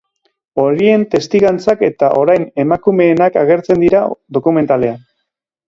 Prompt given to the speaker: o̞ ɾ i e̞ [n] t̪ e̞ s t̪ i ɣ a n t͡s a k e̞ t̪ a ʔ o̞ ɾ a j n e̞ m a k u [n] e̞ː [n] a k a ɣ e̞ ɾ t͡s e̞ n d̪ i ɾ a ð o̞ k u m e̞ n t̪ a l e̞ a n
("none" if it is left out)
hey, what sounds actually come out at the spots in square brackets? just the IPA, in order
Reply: n, m, n

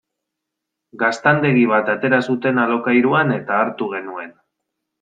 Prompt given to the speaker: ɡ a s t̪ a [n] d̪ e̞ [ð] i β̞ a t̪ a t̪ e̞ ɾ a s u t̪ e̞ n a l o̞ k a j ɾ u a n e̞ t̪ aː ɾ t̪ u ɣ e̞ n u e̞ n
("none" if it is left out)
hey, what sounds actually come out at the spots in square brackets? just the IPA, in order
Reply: n, ɣ

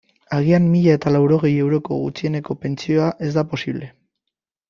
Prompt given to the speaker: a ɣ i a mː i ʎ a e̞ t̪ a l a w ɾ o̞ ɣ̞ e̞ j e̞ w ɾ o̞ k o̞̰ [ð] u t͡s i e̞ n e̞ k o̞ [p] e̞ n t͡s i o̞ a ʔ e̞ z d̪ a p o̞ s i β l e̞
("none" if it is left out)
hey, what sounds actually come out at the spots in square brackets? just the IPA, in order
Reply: ɣ, p

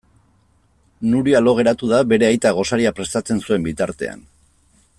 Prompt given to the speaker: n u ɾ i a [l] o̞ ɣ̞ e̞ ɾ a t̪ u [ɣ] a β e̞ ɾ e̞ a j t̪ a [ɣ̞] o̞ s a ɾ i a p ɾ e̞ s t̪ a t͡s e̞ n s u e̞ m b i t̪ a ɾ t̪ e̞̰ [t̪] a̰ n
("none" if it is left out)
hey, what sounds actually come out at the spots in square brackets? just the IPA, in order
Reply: l, ð, ɣ̞, none

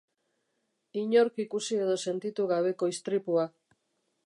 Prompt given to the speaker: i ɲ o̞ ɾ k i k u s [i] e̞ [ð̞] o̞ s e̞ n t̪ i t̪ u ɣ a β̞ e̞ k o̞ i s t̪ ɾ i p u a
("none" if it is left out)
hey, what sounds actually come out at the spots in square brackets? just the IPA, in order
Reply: i, ð̞

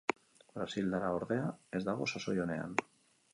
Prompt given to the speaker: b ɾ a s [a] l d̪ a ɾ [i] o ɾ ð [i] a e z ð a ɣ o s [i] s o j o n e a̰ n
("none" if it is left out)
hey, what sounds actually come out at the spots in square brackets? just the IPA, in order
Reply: i, a, e, a

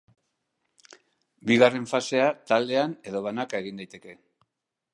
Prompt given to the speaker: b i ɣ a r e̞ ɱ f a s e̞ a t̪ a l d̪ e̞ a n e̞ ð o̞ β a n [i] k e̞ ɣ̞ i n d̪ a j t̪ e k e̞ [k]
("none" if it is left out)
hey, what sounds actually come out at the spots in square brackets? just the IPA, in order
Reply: a, none

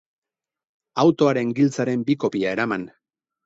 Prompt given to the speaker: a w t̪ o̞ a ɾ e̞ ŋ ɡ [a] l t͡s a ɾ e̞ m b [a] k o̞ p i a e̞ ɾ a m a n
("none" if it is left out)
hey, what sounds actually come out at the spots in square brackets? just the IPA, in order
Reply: i, i

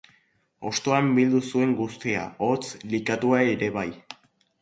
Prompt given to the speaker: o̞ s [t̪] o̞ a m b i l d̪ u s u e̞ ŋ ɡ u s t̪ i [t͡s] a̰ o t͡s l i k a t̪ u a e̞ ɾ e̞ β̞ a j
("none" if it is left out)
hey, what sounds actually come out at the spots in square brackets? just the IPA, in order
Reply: t̪, none

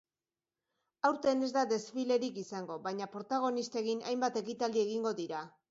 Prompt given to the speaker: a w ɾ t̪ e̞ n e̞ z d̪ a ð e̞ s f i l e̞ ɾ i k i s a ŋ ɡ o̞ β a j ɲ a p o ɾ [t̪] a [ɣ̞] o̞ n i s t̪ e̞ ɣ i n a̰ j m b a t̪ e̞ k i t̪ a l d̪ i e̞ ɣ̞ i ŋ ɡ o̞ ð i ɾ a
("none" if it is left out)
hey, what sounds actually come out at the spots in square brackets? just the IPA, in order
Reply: t̪, ɣ̞

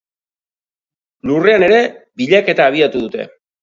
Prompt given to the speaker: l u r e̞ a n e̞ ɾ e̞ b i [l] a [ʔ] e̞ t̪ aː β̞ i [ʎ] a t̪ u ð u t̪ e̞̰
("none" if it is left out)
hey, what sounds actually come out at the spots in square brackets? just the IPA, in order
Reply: ʎ, k, none

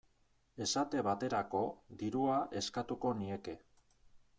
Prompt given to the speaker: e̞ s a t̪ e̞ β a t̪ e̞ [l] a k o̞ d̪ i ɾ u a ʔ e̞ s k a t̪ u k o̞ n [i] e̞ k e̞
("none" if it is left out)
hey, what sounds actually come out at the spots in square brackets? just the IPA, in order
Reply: ɾ, i

